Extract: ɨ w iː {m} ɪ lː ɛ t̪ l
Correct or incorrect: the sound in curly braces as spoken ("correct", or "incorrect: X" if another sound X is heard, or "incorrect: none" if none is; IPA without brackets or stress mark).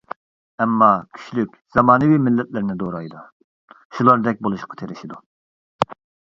correct